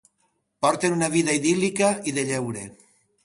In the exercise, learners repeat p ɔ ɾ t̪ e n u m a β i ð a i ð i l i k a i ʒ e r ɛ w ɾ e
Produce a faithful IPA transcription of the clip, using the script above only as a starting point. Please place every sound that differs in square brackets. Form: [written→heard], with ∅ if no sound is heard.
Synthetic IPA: p ɔ ɾ t̪ e n u [m→n] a β i ð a i ð i l i k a i [ʒ→ð] e [r→ʎ] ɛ w ɾ e

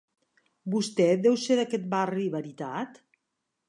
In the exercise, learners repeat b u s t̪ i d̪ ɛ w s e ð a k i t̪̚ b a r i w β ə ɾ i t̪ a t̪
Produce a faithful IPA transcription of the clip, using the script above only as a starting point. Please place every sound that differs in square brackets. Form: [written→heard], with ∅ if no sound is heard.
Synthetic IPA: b u s t̪ [i→ɛ] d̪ ɛ w s e ð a k [i→ɛ] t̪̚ b a r i [w→∅] β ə ɾ i t̪ a t̪

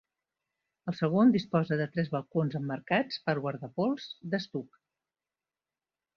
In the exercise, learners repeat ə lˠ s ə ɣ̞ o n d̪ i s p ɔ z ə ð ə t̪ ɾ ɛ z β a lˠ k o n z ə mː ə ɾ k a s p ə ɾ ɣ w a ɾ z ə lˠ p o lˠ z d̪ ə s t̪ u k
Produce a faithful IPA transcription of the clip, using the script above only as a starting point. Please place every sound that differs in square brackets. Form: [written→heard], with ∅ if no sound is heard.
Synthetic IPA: ə lˠ s ə ɣ̞ o n d̪ i s p ɔ z ə ð ə t̪ ɾ ɛ z β [a→ə] lˠ k o n z ə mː ə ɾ k a [s→t͡s] p ə ɾ ɣ w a ɾ [z→ð] ə [lˠ→∅] p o lˠ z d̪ ə s t̪ u k

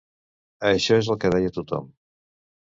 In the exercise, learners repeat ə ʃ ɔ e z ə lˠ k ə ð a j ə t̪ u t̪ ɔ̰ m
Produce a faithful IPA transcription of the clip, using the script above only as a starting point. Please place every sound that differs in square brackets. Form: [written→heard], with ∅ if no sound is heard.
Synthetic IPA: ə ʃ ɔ e z ə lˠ k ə ð [a→ɛ] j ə t̪ u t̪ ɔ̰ m

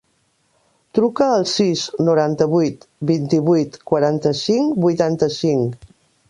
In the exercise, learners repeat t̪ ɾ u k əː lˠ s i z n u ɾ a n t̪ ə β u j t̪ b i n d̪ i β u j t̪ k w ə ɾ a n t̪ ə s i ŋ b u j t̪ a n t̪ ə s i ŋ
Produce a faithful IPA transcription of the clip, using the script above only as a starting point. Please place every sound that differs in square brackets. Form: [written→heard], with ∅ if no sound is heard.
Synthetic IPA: t̪ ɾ u k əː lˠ s i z n u ɾ a n t̪ ə β u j t̪ b i n [d̪→t̪] i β u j t̪ k w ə ɾ a n t̪ ə s i ŋ b u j t̪ a n t̪ ə s i ŋ

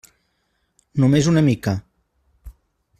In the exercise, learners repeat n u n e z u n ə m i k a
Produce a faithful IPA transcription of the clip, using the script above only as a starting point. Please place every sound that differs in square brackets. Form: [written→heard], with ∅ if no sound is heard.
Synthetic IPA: n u [n→m] e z u n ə m i k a

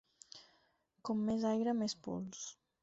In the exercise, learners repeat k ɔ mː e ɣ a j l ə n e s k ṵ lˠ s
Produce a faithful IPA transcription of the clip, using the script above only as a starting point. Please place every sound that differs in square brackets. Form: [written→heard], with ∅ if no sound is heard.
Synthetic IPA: k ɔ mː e [ɣ→z] a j [l→ɾ] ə [n→m] e s [k→p] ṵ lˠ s

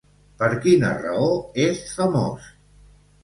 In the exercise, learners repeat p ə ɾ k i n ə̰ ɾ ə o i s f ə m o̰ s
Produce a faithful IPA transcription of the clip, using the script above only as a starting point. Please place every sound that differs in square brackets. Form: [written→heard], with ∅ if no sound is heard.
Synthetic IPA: p ə ɾ k i n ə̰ [ɾ→r] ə o [i→e] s f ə m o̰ s

